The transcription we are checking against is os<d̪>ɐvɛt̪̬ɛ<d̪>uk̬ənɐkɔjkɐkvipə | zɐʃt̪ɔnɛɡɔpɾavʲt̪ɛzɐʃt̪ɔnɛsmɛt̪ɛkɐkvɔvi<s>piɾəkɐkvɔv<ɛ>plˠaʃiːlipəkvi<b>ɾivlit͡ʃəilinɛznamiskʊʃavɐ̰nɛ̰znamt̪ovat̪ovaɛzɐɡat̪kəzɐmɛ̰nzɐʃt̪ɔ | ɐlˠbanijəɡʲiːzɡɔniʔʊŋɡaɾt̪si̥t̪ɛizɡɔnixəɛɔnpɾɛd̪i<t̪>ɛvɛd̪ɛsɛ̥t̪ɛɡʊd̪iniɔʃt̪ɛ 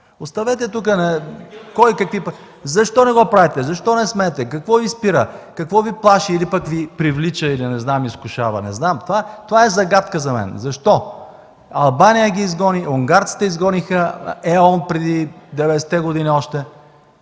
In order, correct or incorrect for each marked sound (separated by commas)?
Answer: incorrect, incorrect, correct, incorrect, incorrect, incorrect